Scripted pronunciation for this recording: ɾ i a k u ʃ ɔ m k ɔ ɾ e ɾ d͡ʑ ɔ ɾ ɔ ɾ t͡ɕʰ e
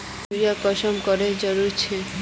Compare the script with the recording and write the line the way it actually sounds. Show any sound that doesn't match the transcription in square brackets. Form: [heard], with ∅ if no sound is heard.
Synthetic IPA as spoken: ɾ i a k [ɔ] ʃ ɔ m k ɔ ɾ e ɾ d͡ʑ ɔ ɾ [u] ɾ t͡ɕʰ e

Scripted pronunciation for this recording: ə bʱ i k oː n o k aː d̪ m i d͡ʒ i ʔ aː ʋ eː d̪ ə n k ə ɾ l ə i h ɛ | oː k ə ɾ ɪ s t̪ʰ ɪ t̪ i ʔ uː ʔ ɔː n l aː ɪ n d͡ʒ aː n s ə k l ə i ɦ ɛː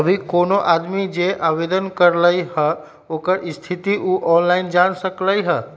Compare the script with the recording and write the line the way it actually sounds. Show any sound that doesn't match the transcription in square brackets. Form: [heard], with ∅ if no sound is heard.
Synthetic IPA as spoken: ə bʱ i k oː n o [ʔ] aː d̪ m i d͡ʒ [e] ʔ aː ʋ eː d̪ ə n k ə ɾ l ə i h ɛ | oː k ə ɾ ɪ s t̪ʰ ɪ t̪ i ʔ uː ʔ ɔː n l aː ɪ n d͡ʒ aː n s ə k l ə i ɦ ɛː

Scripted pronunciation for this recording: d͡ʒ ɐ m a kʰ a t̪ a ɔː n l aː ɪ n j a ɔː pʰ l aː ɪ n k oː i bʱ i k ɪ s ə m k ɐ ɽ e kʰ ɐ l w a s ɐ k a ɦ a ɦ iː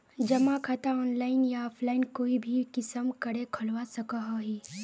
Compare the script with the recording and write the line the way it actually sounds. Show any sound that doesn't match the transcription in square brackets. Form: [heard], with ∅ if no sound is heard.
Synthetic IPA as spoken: d͡ʒ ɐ m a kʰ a t̪ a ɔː n l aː ɪ n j a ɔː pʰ l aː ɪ n k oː i bʱ i k ɪ s ə m k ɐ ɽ e kʰ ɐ l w a s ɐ k a ɦ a ɦ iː

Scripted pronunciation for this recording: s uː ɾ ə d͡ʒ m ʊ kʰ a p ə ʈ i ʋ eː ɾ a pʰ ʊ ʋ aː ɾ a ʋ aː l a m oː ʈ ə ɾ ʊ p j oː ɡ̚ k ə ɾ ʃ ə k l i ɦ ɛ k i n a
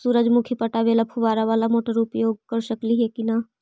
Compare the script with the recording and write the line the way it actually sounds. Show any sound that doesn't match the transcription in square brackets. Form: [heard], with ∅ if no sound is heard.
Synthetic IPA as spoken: s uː ɾ ə d͡ʒ m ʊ kʰ [i] p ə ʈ [a] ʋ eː [l] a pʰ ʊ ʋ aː ɾ a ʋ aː l a m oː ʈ ə ɾ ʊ p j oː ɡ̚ k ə ɾ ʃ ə k l i ɦ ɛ k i n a

